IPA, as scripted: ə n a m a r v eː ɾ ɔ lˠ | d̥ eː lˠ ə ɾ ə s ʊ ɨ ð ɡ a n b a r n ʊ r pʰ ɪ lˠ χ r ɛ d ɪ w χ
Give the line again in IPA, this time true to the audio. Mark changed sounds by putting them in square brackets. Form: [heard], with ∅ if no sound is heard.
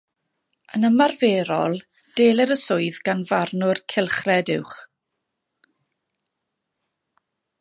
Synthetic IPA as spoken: ə n [ə] m a r v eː ɾ ɔ lˠ | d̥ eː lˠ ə ɾ ə s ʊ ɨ ð ɡ a n [v] a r n ʊ r [kʰ] ɪ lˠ χ r ɛ d ɪ w χ

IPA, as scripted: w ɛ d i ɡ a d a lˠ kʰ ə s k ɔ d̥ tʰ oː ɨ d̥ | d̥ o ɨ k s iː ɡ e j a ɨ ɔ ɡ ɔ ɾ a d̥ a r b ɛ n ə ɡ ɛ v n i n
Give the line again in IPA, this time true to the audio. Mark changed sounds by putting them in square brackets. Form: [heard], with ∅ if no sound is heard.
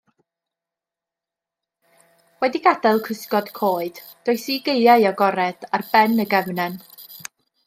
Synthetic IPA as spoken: w ɛ d i ɡ a d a lˠ kʰ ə s k ɔ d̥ [kʰ] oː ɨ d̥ | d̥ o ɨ [∅] s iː ɡ e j a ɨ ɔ ɡ ɔ ɾ [ɛ] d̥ a r b ɛ n ə ɡ ɛ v n [ɛ] n

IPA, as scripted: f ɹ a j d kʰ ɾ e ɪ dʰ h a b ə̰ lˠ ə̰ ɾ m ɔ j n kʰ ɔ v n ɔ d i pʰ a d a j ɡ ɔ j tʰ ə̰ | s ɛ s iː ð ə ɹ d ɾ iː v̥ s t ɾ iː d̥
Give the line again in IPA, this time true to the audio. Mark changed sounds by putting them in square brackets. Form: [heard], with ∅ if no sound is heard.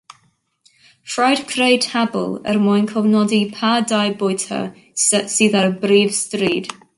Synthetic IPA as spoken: f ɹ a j d kʰ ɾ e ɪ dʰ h a b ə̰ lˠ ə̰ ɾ m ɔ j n kʰ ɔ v n ɔ d i pʰ a d a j [b] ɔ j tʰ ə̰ | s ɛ s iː ð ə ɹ [b] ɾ iː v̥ s t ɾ iː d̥

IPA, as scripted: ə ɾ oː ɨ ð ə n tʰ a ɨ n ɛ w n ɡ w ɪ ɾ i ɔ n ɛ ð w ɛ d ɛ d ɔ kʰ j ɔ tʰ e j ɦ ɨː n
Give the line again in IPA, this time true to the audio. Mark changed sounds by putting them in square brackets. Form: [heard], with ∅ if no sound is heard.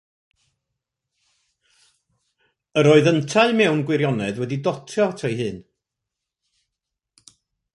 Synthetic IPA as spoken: ə ɾ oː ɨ ð ə n tʰ a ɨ [m] ɛ w n ɡ w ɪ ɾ [j] ɔ n ɛ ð w ɛ d [i] d ɔ [tʰ] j ɔ tʰ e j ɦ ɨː n

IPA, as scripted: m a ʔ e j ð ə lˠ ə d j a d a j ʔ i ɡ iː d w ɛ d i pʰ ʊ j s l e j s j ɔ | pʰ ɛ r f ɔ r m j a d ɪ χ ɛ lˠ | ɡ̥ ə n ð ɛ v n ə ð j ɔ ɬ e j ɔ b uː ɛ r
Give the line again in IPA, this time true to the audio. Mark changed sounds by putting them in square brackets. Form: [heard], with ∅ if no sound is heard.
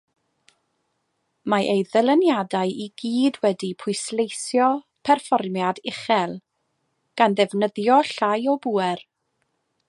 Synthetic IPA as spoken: m a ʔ e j ð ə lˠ ə [n] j a d a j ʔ i ɡ iː d w ɛ d i pʰ ʊ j s l e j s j ɔ | pʰ ɛ r f ɔ r m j a d ɪ χ ɛ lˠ | ɡ̥ [a] n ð ɛ v n ə ð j ɔ ɬ [a] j ɔ b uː ɛ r

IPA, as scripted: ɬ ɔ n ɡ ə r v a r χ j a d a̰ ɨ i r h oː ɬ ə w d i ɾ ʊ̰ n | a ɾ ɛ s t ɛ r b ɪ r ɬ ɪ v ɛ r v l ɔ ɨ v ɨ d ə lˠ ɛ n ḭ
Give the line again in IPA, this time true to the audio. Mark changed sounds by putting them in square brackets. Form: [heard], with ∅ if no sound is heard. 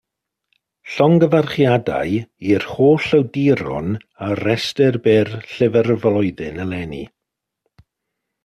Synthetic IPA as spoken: ɬ ɔ [ŋ] ɡ ə [∅] v a r χ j a d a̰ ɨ i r h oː ɬ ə w d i ɾ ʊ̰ n | a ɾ ɛ s t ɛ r b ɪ r ɬ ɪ v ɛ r v l ɔ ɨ [ð] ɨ [n] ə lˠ ɛ n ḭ

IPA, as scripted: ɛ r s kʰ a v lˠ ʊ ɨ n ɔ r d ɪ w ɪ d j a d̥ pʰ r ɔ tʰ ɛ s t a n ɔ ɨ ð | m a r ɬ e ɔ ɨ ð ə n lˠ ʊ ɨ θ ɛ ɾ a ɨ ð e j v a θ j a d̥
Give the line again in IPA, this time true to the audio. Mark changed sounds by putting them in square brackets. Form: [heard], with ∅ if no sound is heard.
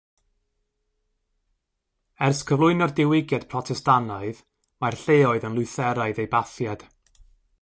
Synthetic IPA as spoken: ɛ r s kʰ [ə] v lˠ ʊ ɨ n ɔ r d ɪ w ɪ [ɡ] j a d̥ pʰ r ɔ tʰ ɛ s t a n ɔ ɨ ð | m a r ɬ e ɔ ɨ ð ə n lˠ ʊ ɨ θ ɛ ɾ a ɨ ð e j [b] a θ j a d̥

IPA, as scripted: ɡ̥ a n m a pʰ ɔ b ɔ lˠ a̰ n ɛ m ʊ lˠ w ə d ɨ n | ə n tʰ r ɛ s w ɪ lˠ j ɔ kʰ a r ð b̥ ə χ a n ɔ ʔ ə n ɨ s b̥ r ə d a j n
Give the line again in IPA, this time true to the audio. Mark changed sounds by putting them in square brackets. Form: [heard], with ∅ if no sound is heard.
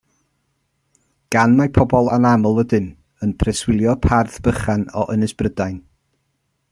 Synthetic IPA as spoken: ɡ̥ a n m a pʰ ɔ b ɔ lˠ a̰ n [a] m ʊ lˠ w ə d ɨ n | ə n [pʰ] r ɛ s w ɪ lˠ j ɔ [pʰ] a r [θ] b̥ ə χ a n ɔ ʔ ə n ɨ s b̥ r ə d a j n

